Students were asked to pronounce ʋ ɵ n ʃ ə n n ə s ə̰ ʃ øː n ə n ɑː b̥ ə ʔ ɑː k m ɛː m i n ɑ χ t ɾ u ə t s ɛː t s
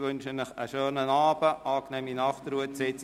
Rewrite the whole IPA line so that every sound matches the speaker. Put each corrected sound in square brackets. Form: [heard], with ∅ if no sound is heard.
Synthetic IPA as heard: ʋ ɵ n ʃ ə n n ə [χ] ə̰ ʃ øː n ə n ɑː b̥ ə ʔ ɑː k [n] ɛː m i n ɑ χ t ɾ u ə t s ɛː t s